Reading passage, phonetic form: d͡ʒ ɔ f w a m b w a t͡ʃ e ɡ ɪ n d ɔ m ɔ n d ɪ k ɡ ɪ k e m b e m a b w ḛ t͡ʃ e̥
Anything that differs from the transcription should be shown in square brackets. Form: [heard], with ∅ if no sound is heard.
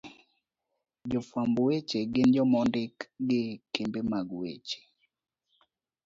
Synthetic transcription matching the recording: d͡ʒ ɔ f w a m b w [e] t͡ʃ e ɡ ɪ n [d͡ʒ] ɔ m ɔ n d ɪ k ɡ ɪ k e m b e m a [ɡ] w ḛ t͡ʃ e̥